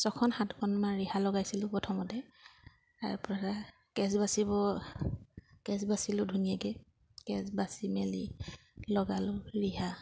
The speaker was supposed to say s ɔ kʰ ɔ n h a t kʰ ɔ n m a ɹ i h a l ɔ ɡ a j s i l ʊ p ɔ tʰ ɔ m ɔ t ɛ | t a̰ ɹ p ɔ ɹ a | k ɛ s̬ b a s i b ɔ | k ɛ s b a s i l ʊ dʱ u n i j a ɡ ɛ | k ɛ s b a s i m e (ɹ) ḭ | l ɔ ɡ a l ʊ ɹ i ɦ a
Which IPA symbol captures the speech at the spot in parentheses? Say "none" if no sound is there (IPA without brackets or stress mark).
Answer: l